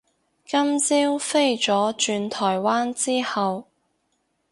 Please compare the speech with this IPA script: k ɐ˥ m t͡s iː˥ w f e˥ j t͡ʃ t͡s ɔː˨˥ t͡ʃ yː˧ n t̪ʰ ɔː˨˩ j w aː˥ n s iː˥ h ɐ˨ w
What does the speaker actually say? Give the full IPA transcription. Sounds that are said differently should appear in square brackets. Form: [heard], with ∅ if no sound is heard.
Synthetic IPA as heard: k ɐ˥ m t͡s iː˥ w f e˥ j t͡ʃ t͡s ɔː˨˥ t͡ʃ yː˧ n t̪ʰ ɔː˨˩ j w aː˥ n [t͡s] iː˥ h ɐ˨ w